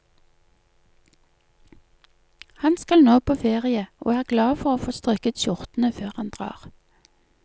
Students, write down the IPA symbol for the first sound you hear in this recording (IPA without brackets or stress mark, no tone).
h